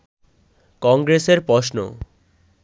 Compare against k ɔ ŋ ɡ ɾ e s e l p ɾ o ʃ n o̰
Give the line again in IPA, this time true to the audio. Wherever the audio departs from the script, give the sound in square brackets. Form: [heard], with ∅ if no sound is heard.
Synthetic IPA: k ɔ ŋ ɡ ɾ e s e [ɾ] p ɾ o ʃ n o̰